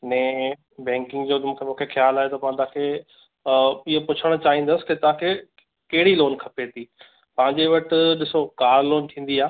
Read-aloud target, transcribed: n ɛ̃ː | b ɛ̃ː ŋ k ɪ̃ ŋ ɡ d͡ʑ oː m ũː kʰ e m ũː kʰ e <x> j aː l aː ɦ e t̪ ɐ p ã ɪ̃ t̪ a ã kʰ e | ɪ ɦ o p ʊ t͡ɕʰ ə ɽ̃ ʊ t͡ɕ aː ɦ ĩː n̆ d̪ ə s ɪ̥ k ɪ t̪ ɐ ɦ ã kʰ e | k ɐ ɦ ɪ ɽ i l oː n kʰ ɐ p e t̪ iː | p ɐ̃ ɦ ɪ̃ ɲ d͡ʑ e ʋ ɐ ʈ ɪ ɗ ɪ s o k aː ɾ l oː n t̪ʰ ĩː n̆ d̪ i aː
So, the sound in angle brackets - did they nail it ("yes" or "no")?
yes